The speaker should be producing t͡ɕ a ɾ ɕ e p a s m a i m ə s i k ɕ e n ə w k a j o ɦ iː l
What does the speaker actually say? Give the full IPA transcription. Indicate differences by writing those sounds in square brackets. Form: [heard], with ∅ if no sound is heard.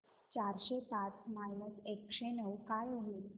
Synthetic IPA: t͡ɕ a ɾ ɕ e p a [t͡s] m a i [n] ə s [e] k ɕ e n ə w k a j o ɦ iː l